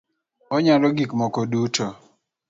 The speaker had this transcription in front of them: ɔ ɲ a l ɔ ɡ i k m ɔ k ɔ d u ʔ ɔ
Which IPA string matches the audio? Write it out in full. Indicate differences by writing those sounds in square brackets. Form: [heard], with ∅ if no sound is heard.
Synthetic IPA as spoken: ɔ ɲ a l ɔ ɡ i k m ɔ k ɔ d u [t] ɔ